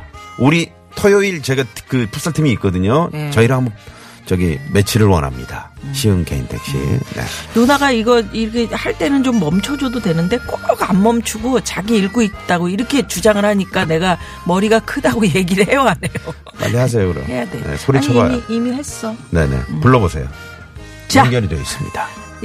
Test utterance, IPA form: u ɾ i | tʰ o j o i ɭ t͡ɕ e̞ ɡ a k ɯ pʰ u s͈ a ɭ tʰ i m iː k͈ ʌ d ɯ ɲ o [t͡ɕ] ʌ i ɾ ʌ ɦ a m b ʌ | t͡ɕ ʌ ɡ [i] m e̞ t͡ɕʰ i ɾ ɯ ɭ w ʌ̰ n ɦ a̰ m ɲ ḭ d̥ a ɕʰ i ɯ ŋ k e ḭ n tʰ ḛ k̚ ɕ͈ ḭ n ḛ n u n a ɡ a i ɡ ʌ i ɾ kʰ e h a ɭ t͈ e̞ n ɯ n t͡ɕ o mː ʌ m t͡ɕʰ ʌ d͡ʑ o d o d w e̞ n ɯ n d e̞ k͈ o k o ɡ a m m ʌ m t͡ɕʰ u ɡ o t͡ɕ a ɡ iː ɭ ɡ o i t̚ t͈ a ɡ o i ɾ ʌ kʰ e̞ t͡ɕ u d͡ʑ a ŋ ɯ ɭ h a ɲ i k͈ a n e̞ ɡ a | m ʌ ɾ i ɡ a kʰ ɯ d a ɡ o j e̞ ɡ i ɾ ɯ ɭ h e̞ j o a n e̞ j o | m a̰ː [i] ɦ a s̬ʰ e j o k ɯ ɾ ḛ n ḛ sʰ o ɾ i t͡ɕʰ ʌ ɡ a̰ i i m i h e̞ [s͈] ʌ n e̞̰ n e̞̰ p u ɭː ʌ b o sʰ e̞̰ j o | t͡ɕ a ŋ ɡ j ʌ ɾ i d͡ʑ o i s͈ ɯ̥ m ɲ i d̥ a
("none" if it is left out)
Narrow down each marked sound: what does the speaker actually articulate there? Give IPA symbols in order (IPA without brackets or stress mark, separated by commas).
t͡ɕ, i, i, s͈